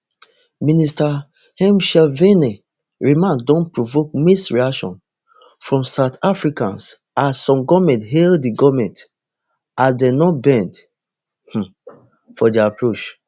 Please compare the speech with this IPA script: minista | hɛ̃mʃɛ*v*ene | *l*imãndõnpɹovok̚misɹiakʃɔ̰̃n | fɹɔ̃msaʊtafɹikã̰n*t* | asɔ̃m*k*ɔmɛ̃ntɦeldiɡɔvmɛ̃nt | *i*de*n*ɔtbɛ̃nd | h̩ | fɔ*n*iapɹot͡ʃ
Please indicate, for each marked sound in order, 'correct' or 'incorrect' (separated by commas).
correct, incorrect, incorrect, incorrect, incorrect, correct, incorrect